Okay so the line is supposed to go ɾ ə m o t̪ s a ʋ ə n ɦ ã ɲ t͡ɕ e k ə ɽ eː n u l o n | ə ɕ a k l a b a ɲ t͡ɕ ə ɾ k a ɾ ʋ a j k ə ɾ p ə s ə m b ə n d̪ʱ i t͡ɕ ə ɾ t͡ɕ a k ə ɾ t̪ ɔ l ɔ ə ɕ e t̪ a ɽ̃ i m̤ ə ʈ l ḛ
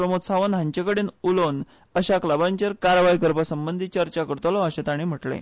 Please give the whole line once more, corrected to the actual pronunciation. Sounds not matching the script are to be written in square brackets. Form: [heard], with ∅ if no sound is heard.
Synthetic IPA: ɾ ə m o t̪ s a ʋ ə n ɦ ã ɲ t͡ɕ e k ə ɽ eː n u l o n | ə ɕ a k l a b a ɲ t͡ɕ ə ɾ k a ɾ ʋ a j k ə ɾ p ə s ə m b ə n d̪ʱ i t͡ɕ ə ɾ t͡ɕ a k ə ɾ t̪ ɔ l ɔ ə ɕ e t̪ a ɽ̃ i m̤ ə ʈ l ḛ

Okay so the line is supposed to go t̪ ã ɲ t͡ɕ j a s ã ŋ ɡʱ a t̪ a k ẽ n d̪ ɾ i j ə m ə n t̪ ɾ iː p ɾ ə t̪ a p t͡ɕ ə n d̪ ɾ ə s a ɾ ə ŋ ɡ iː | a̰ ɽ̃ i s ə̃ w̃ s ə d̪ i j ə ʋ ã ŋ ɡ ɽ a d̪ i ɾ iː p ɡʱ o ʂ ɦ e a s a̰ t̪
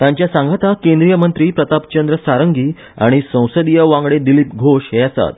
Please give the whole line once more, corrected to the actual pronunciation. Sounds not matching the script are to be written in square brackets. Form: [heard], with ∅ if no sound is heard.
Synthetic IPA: t̪ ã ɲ t͡ɕ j a s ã ŋ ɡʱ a t̪ a k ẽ n d̪ ɾ i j ə m ə n t̪ ɾ iː p ɾ ə t̪ a p t͡ɕ ə n d̪ ɾ ə s a ɾ ə ŋ ɡ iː | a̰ ɽ̃ i s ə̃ w̃ s ə d̪ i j ə ʋ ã ŋ ɡ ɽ [e] d̪ i [l] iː p ɡʱ o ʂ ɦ e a s a̰ t̪

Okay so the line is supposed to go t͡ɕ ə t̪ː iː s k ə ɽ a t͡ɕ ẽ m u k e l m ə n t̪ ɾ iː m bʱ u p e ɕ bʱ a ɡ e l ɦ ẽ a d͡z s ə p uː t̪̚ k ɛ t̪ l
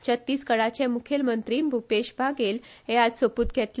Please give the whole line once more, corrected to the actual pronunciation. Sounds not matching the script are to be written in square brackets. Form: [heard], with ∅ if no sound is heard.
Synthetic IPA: t͡ɕ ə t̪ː iː s k ə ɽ a t͡ɕ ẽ m u [kʰ] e l m ə n t̪ ɾ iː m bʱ u p e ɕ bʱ a ɡ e l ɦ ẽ a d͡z s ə p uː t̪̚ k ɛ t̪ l

